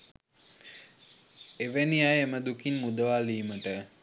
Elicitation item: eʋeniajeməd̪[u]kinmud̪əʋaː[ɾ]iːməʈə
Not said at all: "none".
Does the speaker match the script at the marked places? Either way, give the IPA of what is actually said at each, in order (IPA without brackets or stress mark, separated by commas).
u, l